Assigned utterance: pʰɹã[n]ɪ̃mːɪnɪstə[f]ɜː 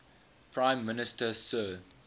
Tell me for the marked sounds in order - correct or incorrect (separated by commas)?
incorrect, incorrect